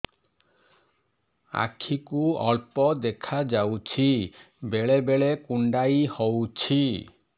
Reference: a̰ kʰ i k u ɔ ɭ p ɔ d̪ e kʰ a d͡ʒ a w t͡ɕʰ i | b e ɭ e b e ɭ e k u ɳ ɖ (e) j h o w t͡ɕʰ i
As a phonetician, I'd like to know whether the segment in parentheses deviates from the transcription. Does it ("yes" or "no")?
yes